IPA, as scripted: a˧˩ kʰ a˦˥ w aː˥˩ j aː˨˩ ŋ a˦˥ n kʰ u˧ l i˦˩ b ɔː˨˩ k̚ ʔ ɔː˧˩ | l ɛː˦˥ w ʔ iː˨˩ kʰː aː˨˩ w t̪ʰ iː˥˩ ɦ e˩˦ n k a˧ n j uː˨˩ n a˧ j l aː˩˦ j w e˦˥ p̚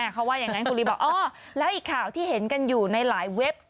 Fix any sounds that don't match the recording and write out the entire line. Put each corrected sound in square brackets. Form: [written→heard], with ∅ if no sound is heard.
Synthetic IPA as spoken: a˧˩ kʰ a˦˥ w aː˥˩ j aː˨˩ ŋ a˦˥ n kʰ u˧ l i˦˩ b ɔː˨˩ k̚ ʔ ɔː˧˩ | l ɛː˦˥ w ʔ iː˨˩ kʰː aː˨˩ w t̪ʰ iː˥˩ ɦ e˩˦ n k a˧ n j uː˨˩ n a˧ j l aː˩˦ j w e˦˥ p̚